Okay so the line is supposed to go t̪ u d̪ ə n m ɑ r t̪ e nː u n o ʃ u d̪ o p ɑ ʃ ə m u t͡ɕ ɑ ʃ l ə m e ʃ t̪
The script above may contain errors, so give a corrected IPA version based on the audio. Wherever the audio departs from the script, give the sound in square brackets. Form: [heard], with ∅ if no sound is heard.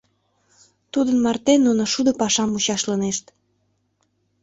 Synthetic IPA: t̪ u d̪ ə n m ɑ r t̪ e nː u n o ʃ u d̪ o p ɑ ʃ [ɑ] m u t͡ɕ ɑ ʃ l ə [n] e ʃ t̪